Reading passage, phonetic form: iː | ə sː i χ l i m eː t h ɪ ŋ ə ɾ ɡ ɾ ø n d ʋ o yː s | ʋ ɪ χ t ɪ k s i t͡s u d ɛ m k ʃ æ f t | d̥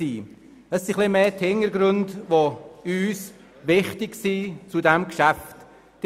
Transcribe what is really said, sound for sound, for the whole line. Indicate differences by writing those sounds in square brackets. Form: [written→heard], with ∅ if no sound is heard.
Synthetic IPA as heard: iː | ə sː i χ l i m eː t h ɪ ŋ ə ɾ ɡ ɾ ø n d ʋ o yː s | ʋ ɪ χ t ɪ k s i t͡s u d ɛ m k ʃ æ f t | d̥

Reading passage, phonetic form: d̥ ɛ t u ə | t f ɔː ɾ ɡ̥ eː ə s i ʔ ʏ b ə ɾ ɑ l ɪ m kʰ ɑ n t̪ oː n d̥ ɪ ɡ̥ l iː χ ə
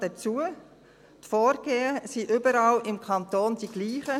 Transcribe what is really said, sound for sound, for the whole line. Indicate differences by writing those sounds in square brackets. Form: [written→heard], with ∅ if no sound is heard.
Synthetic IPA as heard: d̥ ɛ [t→t͡s] u ə | t f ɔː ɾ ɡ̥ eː ə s i ʔ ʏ b ə ɾ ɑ l ɪ m kʰ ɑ n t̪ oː n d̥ [ɪ→i] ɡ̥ l iː χ ə

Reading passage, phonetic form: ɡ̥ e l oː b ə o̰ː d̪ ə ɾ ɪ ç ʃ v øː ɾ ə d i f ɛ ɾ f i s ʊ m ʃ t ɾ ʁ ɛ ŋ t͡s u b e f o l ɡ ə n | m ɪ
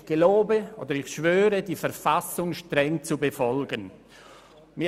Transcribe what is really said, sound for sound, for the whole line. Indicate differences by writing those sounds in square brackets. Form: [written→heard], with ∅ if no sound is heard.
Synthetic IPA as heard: ɡ̥ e l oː b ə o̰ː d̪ ə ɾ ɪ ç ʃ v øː ɾ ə d i f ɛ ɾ f [i→a] s ʊ [m→ŋ] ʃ t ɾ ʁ ɛ ŋ t͡s u b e f [o→ɔ] l ɡ ə n | m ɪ

